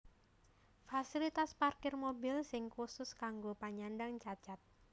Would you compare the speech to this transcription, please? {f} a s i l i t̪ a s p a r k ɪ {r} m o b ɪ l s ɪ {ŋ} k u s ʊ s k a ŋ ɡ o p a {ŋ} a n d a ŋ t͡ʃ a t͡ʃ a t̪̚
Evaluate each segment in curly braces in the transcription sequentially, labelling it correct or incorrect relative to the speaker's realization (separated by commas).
correct, correct, correct, incorrect